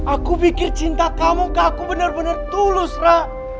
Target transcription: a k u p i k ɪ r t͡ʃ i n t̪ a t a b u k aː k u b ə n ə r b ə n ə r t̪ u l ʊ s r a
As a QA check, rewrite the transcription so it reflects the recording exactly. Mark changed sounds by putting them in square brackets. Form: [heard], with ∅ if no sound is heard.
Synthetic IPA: a k u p i k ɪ r t͡ʃ i n t̪ a [k] a [m] u k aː k u b ə n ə r b ə n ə r t̪ u l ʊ s r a